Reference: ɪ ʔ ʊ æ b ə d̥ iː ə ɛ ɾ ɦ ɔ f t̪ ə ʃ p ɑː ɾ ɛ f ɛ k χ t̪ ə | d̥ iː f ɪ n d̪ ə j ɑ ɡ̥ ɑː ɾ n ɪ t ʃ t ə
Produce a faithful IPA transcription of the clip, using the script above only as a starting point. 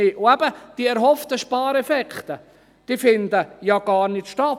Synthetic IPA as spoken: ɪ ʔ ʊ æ b ə d̥ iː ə ɛ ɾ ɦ ɔ f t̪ ə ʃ p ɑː ɾ ɛ f ɛ k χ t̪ ə | d̥ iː f ɪ n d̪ ə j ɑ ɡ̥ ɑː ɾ n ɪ t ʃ t ɑ